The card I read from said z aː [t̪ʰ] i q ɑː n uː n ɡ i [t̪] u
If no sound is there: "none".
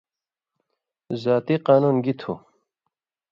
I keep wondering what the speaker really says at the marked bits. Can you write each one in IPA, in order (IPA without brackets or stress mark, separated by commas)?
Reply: t̪, t̪ʰ